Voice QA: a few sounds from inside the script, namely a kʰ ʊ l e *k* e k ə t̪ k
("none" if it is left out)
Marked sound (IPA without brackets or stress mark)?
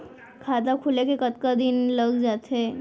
k